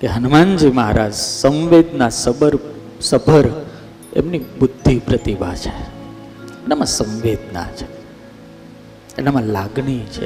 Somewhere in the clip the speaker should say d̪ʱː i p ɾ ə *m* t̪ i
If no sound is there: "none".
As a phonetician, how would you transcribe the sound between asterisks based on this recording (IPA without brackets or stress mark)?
none